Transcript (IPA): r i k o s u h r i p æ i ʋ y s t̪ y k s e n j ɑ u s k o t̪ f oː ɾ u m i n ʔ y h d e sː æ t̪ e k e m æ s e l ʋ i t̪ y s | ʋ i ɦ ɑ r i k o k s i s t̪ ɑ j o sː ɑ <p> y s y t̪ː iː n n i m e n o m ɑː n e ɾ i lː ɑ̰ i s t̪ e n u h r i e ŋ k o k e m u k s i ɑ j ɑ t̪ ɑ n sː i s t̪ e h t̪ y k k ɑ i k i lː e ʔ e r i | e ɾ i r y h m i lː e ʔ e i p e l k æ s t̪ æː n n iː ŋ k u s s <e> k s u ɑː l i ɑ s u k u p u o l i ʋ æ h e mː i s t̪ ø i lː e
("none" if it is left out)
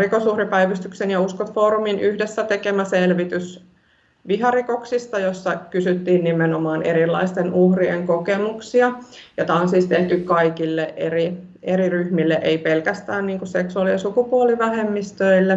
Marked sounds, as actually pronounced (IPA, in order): k, e

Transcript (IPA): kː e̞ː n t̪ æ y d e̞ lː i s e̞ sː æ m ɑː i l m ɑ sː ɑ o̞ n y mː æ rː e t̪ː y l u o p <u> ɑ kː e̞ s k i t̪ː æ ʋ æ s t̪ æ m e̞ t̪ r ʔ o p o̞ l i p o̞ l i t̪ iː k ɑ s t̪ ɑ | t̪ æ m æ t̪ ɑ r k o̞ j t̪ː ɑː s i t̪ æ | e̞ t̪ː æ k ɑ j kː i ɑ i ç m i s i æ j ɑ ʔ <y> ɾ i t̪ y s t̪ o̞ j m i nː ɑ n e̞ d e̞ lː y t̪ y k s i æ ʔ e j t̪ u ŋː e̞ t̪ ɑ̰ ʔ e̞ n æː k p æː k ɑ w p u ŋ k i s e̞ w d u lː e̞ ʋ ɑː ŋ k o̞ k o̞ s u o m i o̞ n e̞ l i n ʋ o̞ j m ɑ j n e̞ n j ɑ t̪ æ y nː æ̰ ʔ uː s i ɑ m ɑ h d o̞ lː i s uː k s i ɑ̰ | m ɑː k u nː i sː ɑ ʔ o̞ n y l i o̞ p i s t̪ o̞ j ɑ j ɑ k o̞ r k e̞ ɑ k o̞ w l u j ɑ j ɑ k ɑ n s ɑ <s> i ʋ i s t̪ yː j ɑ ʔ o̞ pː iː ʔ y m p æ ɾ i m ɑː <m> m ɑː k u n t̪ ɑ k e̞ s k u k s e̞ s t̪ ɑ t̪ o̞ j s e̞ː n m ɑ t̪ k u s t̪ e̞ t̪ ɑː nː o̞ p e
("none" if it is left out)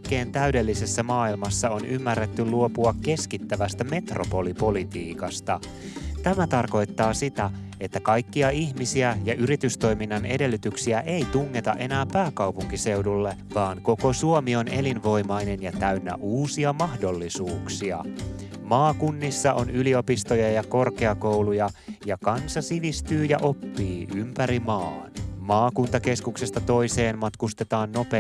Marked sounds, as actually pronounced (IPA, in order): u, y, s, n

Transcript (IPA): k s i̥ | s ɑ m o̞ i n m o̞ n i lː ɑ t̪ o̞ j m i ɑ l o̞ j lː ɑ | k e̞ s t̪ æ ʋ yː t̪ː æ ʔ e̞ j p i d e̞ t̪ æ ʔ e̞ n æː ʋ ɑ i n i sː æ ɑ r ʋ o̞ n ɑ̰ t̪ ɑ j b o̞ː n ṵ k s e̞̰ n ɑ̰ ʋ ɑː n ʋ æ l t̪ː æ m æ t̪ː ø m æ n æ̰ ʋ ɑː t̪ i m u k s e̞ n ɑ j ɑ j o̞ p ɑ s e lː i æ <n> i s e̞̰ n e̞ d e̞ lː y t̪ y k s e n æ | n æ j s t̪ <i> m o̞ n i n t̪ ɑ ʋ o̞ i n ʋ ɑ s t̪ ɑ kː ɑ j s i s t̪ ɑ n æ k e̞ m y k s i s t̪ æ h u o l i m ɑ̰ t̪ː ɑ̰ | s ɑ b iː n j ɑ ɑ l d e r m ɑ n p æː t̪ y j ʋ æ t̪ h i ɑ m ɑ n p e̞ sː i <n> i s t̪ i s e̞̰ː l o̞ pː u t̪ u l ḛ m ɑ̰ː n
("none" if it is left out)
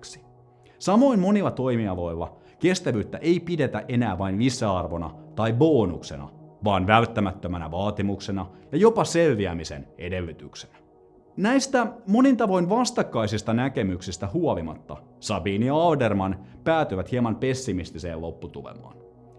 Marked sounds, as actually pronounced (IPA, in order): m, æ, m

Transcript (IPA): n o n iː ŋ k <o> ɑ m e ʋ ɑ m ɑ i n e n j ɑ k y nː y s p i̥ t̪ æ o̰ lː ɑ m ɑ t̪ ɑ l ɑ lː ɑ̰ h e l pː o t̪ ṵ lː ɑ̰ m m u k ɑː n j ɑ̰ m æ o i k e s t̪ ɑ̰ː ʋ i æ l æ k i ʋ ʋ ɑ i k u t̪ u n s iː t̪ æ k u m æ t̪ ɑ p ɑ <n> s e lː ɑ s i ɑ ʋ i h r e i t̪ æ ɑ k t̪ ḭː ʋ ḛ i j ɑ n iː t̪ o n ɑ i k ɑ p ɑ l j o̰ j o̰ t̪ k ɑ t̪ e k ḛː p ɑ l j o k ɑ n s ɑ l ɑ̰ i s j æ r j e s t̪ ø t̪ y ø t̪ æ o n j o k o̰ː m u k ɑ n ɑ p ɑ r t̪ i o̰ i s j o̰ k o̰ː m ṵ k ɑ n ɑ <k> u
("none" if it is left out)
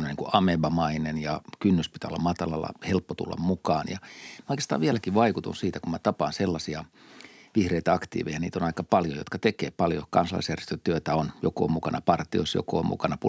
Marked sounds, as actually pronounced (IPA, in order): u, n, p

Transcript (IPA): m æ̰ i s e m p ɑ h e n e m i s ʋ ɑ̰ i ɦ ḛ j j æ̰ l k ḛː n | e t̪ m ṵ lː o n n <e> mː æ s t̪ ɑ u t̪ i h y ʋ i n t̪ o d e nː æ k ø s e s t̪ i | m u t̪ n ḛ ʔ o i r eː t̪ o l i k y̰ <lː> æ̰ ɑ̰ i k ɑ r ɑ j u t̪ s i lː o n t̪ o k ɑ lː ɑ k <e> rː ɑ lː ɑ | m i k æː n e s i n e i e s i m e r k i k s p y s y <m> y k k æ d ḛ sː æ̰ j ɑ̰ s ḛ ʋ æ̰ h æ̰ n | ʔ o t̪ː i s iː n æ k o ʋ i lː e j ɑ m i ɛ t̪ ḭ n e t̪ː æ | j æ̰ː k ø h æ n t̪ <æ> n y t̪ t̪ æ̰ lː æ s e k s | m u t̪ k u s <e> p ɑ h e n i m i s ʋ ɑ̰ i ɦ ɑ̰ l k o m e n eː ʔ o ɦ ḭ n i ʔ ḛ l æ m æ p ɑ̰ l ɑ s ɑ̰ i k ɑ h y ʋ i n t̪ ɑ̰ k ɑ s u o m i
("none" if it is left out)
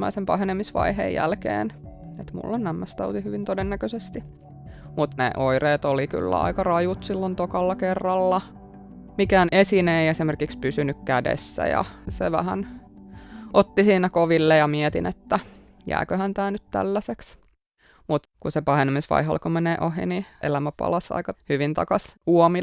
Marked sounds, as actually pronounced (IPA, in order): æ, lː, e, n, æː, e

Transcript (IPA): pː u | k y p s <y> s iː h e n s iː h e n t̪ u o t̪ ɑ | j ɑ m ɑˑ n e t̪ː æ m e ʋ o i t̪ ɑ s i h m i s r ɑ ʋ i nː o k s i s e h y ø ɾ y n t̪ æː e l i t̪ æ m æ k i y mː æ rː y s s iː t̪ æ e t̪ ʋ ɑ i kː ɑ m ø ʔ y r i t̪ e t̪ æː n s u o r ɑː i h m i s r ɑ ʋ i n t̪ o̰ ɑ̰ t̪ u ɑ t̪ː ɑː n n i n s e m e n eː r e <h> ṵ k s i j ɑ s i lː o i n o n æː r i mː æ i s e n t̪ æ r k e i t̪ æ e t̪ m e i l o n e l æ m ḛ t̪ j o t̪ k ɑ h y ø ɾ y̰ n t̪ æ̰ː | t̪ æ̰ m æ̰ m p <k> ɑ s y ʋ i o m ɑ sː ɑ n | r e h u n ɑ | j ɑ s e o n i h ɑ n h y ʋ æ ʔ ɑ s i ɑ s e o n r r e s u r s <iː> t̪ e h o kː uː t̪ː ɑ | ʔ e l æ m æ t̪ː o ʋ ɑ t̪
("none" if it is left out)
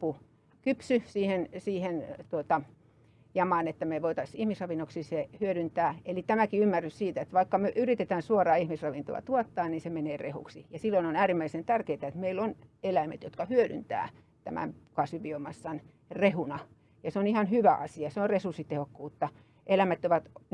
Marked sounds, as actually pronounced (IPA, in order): y, h, k, i

